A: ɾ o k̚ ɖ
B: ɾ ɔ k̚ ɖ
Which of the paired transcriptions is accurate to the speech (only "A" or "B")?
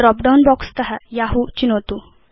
B